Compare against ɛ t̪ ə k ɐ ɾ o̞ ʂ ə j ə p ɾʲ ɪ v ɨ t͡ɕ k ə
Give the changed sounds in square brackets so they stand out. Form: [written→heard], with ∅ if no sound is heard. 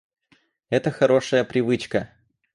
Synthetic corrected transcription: ɛ t̪ ə [k→x] ɐ ɾ o̞ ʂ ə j ə p ɾʲ ɪ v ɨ t͡ɕ k ə